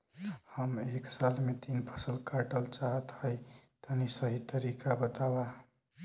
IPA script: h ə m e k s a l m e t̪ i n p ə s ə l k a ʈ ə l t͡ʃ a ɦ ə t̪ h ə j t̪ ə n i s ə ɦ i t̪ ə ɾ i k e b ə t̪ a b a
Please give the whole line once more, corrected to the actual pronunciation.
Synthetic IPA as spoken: h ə m e k s a l m e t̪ i n pʰ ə s ə l k a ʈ ə l t͡ʃ a ɦ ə t̪ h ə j t̪ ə n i s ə ɦ i t̪ ə ɾ i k a b ə t̪ a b a

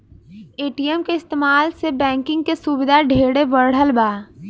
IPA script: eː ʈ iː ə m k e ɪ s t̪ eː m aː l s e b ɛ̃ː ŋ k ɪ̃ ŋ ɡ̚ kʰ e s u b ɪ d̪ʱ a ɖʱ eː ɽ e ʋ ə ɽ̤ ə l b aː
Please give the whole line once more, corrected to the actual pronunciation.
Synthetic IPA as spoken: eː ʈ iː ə m k e ɪ s t̪ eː m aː l s e b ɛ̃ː ŋ k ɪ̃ ŋ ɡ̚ k e s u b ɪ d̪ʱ a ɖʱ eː ɽ e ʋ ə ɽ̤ ə l b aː

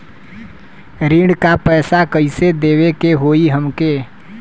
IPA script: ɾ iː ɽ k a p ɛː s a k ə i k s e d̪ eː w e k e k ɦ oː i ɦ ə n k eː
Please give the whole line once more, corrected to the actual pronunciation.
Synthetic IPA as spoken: ɾ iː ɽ k a p ɛː s a k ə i s e d̪ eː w e k e ɦ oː i ɦ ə m k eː

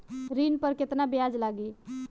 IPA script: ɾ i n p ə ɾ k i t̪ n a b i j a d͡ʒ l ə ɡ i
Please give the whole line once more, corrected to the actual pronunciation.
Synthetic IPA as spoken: ɾ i n p ə ɾ k e t̪ n a b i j a d͡ʒ l a ɡ i

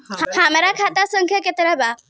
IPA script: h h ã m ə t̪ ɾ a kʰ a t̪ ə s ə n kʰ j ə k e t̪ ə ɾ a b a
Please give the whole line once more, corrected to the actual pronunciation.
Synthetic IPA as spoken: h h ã m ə ɾ a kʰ a t̪ a s ə ŋ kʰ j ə k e t̪ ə ɾ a b a

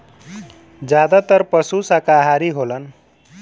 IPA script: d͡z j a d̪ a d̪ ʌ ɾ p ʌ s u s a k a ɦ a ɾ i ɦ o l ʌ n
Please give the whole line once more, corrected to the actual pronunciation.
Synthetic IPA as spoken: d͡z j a d̪ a t̪ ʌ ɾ p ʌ s u s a k a ɦ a ɾ i ɦ o l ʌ n

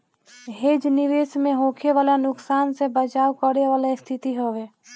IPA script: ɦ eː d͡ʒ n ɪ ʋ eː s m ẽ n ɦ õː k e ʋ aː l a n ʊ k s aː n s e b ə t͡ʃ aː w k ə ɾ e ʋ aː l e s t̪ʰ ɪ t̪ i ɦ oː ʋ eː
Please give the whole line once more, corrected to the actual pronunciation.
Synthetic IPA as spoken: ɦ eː d͡ʒ n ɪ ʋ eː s m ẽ ɦ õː kʰ e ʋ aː l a n ʊ k s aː n s e b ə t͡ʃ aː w k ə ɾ e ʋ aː l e s t̪ʰ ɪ t̪ i ɦ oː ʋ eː

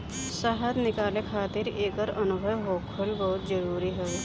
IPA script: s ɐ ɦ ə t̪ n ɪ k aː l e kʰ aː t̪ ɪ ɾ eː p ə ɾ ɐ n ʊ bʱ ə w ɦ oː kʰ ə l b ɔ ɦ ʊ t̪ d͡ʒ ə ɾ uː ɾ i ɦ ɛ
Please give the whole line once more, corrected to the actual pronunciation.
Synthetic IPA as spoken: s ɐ ɦ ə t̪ n ɪ k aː l e kʰ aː t̪ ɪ ɾ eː k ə ɾ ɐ n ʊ bʱ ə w ɦ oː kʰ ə l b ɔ ɦ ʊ t̪ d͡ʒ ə ɾ uː ɾ i ɦ ɛ

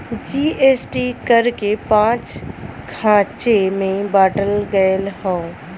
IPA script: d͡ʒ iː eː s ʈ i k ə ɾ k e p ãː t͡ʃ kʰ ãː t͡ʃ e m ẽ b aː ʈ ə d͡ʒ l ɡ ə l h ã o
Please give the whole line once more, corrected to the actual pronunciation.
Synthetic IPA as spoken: d͡ʒ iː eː s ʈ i k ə ɾ k e p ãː t͡ʃ kʰ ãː t͡ʃ e m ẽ b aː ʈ ə l ɡ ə l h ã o

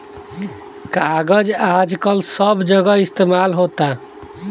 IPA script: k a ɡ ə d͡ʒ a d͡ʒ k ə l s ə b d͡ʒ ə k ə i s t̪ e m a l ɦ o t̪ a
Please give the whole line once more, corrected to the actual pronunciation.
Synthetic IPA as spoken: k a ɡ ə d͡ʒ a d͡ʒ k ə l s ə b d͡ʒ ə ɡ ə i s t̪ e m a l ɦ o t̪ a

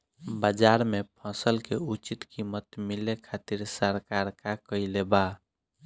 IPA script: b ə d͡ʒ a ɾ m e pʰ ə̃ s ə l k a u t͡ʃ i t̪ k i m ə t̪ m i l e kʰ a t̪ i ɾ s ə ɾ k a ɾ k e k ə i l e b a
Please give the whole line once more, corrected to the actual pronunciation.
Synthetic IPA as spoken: b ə d͡ʒ a ɾ m e pʰ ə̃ s ə l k e u t͡ʃ i t̪ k i m ə t̪ m i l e kʰ a t̪ i ɾ s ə ɾ k a ɾ k a k ə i l e b a

